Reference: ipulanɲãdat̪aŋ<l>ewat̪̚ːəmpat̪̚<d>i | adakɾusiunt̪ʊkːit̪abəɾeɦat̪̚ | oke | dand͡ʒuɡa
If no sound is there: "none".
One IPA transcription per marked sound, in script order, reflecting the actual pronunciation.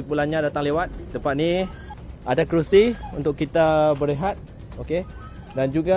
l, n

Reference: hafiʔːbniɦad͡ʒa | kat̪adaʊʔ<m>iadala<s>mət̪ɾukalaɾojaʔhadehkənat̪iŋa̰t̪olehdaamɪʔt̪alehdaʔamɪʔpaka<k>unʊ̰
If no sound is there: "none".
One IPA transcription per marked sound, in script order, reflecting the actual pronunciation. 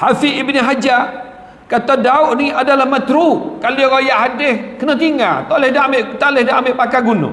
n, h, ɡ

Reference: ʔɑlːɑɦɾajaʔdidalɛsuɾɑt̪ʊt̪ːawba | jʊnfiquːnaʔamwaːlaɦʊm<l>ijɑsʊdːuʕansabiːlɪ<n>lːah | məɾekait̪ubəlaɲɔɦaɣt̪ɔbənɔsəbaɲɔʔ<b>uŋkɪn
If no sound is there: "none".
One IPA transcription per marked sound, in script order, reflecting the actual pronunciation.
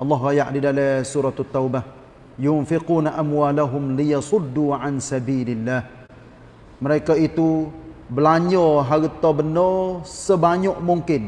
l, none, m

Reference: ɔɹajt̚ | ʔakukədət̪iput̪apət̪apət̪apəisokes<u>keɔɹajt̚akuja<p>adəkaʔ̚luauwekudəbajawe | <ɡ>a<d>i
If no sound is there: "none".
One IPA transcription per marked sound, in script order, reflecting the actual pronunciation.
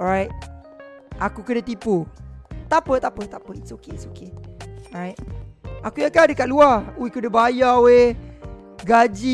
o, k, ɡ, d͡ʒ

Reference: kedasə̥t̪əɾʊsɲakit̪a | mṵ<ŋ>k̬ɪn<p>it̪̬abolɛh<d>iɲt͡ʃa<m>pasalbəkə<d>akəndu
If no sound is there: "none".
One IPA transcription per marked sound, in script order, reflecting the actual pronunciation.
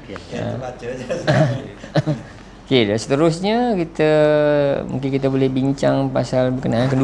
ŋ, k, b, ŋ, n

